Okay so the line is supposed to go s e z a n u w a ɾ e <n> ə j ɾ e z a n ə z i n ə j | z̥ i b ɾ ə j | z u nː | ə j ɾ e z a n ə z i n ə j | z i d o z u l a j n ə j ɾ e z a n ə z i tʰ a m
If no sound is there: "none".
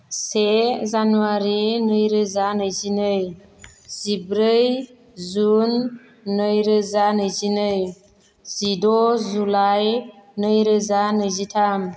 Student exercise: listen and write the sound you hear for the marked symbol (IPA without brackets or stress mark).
n